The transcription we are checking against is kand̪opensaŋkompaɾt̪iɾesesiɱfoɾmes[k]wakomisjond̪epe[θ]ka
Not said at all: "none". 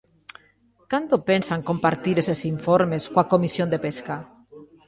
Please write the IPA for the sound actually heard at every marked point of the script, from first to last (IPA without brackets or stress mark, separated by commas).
k, s